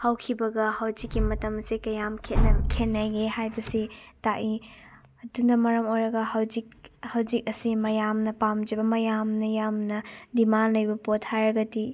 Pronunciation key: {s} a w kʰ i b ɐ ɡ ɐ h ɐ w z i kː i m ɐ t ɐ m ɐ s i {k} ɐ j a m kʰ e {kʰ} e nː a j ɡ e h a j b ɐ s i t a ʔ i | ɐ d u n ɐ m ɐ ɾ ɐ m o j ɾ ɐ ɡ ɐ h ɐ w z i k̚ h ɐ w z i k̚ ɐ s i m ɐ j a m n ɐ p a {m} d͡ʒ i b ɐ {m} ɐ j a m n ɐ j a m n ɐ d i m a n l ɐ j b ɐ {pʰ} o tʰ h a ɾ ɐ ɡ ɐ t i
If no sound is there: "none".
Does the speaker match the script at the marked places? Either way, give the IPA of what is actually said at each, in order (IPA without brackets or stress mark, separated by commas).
h, k, kʰ, m, m, p